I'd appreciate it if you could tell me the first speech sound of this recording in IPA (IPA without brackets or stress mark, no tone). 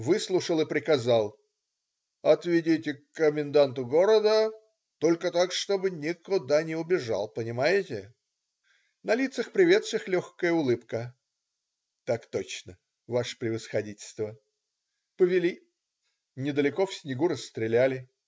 v